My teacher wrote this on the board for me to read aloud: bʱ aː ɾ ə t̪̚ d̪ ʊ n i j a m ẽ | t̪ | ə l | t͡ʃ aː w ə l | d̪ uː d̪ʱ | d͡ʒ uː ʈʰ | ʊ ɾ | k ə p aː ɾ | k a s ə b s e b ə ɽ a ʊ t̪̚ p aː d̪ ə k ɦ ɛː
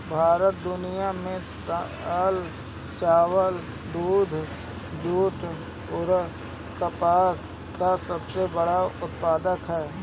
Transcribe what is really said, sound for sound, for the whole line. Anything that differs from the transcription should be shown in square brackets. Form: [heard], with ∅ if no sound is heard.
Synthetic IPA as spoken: bʱ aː ɾ ə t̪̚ d̪ ʊ n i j a m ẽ | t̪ | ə l | t͡ʃ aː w ə l | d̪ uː d̪ʱ | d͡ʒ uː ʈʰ | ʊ ɾ | k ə p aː ɾ | k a s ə b s e b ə ɽ a ʊ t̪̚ p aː d̪ ə k ɦ ɛː

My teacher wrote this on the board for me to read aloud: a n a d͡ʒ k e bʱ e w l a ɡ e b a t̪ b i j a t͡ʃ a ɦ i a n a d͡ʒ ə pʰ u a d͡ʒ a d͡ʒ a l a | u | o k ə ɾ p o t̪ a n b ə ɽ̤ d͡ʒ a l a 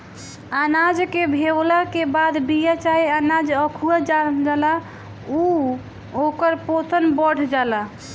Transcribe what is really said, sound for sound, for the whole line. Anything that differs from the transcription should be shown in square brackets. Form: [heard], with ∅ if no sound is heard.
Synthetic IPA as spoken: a n a d͡ʒ k e bʱ e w l a [k] e b a [d̪] b i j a t͡ʃ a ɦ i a n a d͡ʒ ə [kʰ] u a d͡ʒ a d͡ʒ a l a | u | o k ə ɾ p o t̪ [ə] n b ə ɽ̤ d͡ʒ a l a

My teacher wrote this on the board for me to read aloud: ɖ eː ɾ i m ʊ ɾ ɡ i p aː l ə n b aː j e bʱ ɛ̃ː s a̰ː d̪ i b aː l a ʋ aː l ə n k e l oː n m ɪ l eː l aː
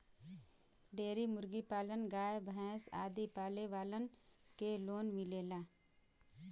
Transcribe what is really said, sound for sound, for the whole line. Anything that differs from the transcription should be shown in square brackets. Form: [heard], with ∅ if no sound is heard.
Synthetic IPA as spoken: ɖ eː ɾ i m ʊ ɾ ɡ i p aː l ə n [ɡ] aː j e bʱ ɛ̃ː s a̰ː d̪ i [p] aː l [e] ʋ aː l ə n k e l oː n m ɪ l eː l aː

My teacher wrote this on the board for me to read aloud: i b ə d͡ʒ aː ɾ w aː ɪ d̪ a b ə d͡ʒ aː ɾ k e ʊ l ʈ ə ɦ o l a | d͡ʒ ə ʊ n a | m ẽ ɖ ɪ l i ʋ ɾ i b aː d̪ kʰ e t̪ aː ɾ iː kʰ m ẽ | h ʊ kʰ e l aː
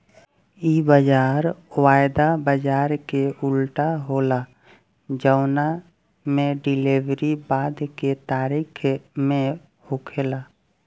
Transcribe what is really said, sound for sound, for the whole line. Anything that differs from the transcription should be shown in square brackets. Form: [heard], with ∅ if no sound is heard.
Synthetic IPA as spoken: i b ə d͡ʒ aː ɾ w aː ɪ d̪ a b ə d͡ʒ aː ɾ k e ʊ l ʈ [a] ɦ o l a | d͡ʒ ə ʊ n a | m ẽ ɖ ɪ l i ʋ ɾ i b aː d̪ [k] e t̪ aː ɾ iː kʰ m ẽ | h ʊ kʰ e l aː

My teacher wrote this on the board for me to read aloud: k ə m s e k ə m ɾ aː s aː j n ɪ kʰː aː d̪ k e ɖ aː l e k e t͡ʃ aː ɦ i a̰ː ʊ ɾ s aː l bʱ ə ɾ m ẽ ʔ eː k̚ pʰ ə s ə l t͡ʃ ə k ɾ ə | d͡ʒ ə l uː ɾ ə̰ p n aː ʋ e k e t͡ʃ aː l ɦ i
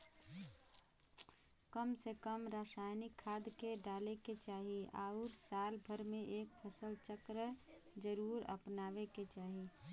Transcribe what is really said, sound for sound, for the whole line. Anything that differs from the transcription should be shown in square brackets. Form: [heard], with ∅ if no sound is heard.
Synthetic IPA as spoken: k ə m s e k ə m ɾ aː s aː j n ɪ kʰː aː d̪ k e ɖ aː l e k e t͡ʃ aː ɦ i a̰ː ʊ ɾ s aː l bʱ ə ɾ m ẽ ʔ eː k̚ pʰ ə s ə l t͡ʃ ə k ɾ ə | d͡ʒ ə [ɾ] uː ɾ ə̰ p n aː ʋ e k e t͡ʃ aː [∅] ɦ i

